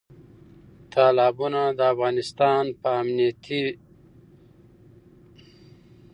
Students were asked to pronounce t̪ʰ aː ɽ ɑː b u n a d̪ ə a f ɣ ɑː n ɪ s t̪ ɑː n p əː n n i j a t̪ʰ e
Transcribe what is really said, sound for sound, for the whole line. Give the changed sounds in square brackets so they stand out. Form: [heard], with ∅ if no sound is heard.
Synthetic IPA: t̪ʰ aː [l] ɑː b u n a d̪ ə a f ɣ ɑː n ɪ s t̪ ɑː n p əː [m] n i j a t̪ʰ [i]

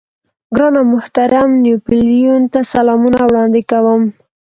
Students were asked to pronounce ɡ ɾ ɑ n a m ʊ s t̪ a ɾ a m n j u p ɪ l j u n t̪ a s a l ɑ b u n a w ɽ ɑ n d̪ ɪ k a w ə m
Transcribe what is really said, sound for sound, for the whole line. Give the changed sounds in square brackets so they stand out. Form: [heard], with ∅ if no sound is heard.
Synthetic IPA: ɡ ɾ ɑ n a m ʊ [h] t̪ a ɾ a m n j u p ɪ l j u n t̪ a s a l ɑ [m] u n a w ɽ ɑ n d̪ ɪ k a w ə m

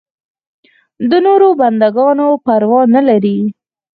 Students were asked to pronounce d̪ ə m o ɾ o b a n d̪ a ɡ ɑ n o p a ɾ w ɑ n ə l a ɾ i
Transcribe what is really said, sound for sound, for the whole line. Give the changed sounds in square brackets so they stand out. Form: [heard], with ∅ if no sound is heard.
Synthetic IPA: d̪ ə [n] o ɾ o b a n d̪ a ɡ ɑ n o p a ɾ w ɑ n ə l a ɾ i

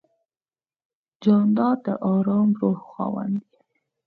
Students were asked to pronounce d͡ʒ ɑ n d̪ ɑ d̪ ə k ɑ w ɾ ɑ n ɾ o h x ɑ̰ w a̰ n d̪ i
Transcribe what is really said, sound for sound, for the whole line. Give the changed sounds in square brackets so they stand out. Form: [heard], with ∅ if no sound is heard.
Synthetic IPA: d͡ʒ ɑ n d̪ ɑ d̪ ə [ʔ] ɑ [∅] ɾ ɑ [m] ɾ o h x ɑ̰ w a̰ n d̪ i

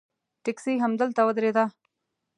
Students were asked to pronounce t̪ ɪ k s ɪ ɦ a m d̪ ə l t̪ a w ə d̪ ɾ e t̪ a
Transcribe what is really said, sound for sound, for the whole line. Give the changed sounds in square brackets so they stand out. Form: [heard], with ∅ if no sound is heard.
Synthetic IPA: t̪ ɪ k s [i] ɦ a m d̪ ə l t̪ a w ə d̪ ɾ e [d̪] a

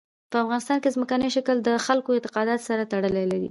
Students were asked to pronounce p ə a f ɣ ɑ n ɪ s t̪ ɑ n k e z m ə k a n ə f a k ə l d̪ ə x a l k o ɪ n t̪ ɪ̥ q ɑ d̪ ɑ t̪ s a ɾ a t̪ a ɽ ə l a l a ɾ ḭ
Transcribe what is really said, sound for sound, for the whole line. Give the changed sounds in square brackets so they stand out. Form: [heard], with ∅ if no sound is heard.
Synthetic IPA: p ə a f ɣ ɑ n ɪ s t̪ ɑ n k e z m ə k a n ə [ʃ] a k ə l d̪ ə x a l k o ɪ n t̪ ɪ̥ q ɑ d̪ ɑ t̪ s a ɾ a t̪ a ɽ ə l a l a ɾ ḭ

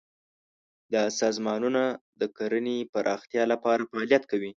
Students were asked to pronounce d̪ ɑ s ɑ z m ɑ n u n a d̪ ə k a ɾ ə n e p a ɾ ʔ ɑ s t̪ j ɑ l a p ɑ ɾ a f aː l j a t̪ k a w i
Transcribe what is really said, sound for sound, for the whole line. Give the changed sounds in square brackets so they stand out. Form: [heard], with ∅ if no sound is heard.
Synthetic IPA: d̪ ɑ s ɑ z m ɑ n u n a d̪ ə k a ɾ ə n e p a ɾ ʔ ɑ [x] t̪ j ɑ l a p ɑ ɾ a f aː l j a t̪ k a w i

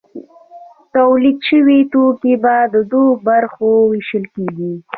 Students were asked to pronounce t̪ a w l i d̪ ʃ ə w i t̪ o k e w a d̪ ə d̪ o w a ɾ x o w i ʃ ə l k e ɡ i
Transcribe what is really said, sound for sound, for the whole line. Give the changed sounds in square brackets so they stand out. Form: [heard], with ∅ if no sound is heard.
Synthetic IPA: t̪ a w l i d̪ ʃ ə w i t̪ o k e [b] a d̪ ə d̪ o [b] a ɾ x o w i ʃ ə l k e ɡ i

